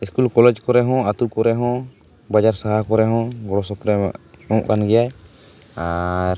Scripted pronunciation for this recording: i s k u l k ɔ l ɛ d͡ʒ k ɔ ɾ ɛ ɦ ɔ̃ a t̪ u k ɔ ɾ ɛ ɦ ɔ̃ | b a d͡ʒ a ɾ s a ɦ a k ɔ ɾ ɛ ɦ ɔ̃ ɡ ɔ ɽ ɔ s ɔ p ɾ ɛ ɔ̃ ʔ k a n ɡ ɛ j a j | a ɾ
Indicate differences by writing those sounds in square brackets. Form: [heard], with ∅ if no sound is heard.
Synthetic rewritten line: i s k u l k ɔ l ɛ d͡ʒ k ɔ ɾ ɛ ɦ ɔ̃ a t̪ u k ɔ ɾ ɛ ɦ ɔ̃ | b a d͡ʒ a ɾ s a ɦ a k ɔ ɾ ɛ ɦ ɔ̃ ɡ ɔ ɽ ɔ s ɔ p ɾ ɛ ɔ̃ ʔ k a n ɡ ɛ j a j | a ɾ